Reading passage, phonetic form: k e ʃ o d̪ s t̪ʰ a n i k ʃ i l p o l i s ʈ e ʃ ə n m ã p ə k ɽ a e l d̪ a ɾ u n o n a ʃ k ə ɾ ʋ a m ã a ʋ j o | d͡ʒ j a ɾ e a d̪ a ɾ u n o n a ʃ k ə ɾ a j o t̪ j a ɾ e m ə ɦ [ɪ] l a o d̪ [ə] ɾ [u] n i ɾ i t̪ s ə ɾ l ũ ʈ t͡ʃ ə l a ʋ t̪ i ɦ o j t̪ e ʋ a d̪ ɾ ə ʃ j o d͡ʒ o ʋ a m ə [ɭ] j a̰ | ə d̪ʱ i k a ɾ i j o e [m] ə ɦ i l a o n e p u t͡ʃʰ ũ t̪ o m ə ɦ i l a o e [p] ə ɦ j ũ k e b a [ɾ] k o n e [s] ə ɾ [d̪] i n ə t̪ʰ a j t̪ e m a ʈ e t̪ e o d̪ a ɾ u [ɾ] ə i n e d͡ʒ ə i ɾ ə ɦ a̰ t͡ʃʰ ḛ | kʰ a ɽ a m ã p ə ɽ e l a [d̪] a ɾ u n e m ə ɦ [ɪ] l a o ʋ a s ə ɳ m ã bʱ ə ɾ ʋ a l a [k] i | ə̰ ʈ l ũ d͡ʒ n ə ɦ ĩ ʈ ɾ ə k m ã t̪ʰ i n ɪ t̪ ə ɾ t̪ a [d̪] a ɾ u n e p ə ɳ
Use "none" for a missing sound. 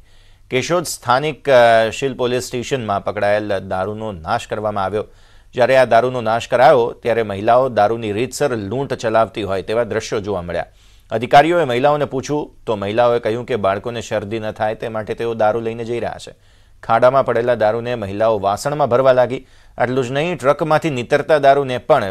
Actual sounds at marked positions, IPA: i, a, u, ɭ, m, k, ɭ, ʃ, d̪, l, d̪, i, ɡ, d̪

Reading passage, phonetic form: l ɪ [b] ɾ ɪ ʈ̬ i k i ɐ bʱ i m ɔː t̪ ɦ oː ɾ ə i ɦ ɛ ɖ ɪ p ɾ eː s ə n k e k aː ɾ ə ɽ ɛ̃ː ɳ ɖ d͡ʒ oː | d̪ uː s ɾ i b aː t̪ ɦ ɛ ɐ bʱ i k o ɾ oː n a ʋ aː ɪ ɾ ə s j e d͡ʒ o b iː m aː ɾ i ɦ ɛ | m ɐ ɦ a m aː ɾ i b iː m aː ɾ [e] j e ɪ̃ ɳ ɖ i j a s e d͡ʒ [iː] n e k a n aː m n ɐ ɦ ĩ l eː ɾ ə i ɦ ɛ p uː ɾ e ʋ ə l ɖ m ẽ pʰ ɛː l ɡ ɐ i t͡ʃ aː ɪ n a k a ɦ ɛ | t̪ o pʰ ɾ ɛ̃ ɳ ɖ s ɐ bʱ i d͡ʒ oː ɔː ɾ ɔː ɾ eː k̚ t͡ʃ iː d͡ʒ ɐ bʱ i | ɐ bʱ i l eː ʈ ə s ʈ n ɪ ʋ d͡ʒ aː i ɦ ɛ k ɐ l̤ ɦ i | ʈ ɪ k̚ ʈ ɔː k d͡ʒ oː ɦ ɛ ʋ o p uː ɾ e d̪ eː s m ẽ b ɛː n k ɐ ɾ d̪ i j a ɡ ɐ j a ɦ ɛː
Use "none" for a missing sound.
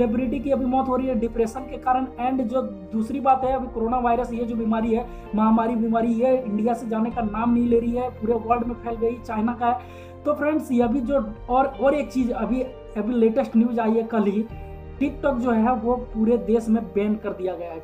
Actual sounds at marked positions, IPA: b, i, aː

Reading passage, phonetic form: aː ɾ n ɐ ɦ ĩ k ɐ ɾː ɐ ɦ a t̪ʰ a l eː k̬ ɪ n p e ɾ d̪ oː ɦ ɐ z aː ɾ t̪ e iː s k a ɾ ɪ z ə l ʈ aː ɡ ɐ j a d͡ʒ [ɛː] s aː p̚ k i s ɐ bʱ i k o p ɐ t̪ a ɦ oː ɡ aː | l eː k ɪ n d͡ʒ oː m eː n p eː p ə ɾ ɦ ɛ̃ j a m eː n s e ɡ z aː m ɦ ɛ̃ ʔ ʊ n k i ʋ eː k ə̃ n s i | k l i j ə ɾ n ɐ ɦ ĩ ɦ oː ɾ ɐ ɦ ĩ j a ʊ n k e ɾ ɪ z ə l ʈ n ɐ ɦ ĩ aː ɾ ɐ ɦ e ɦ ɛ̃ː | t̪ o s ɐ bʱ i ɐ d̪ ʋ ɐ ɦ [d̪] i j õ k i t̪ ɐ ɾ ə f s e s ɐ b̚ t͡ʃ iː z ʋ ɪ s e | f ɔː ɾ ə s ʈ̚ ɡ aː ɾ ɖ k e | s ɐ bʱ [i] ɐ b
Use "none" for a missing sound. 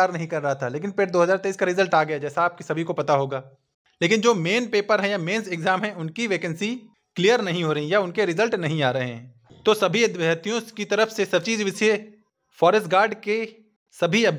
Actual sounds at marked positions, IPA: ɛː, t̪, i

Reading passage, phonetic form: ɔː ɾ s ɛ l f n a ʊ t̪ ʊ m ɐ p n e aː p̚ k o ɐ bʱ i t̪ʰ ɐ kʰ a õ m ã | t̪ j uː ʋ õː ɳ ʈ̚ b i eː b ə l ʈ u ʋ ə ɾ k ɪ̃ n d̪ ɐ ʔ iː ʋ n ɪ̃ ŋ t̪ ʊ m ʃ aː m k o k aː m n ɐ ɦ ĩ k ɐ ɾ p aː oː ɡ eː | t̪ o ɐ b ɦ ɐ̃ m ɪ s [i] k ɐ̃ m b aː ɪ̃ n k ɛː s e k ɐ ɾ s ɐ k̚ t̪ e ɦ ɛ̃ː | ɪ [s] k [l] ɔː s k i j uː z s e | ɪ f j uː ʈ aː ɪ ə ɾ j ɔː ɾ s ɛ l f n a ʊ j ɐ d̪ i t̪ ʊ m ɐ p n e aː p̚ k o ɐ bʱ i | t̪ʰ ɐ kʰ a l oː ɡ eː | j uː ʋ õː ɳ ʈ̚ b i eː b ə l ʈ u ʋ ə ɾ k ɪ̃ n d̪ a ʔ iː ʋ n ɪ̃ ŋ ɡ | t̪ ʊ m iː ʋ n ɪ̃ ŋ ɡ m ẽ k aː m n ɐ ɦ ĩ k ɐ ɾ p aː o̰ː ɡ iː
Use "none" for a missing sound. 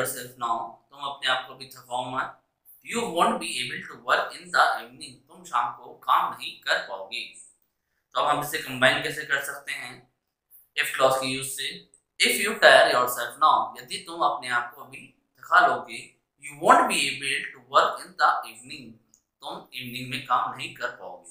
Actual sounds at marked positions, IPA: e, f, l

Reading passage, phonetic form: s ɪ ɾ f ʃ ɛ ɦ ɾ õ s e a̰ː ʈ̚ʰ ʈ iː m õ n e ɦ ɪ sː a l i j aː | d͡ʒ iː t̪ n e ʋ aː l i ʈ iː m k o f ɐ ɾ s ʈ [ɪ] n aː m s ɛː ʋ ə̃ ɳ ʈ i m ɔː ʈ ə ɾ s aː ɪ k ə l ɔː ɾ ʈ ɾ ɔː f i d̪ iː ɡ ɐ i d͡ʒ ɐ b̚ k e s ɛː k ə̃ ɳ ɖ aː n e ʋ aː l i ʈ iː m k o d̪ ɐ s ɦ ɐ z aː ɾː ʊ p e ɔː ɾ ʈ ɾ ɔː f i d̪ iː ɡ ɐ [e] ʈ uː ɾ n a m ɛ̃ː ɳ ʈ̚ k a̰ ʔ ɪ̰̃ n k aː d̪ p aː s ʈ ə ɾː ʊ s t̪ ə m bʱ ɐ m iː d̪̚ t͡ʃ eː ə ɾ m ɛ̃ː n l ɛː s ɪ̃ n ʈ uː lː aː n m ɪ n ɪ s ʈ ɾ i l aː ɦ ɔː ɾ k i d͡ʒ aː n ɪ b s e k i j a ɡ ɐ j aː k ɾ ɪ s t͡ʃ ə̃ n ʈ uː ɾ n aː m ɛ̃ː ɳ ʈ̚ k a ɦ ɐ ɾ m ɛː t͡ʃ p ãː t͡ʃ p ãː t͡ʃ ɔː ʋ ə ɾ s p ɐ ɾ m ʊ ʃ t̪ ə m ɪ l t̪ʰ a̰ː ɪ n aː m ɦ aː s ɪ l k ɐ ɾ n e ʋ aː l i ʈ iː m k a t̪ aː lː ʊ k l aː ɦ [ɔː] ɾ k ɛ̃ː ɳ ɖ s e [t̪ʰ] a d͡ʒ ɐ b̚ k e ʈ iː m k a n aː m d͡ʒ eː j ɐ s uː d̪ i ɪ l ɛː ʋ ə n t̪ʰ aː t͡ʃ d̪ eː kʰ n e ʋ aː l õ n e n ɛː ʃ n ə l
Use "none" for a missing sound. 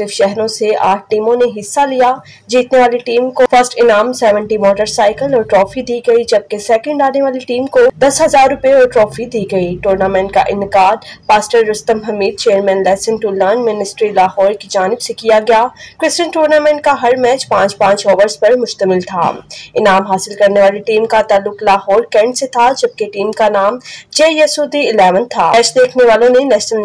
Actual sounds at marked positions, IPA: ɪ, i, ɔː, t̪ʰ

